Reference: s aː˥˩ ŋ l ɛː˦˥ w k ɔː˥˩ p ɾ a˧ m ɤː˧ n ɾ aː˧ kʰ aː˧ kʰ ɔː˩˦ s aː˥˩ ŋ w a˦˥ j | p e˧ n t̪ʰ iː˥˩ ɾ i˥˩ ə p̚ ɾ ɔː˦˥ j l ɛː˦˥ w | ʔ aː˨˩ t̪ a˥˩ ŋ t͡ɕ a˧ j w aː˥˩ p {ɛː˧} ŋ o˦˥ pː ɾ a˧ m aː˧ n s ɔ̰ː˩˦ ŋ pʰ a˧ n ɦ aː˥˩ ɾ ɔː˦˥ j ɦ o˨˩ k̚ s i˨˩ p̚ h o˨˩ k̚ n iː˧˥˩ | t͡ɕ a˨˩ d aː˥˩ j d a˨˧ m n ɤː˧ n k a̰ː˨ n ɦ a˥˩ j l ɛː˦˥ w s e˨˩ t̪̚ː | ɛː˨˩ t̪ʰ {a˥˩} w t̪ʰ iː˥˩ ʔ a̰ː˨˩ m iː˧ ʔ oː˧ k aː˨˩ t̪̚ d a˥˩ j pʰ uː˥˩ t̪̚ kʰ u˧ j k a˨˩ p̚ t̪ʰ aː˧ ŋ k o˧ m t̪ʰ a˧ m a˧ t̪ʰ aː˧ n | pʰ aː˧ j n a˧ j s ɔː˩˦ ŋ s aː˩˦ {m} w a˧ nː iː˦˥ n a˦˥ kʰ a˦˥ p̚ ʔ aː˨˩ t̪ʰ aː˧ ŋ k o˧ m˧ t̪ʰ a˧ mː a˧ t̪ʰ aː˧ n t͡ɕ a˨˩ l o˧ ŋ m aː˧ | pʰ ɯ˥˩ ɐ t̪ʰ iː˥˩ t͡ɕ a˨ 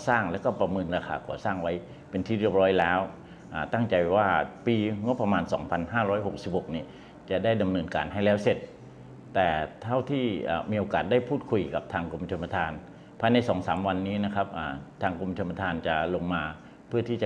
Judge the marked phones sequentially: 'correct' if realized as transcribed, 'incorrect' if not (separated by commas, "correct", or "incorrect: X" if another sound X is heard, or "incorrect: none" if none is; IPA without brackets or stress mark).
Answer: incorrect: iː˧, correct, correct